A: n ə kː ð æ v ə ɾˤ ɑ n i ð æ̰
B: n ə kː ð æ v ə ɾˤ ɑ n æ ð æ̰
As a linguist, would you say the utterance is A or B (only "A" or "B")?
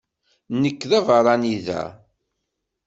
A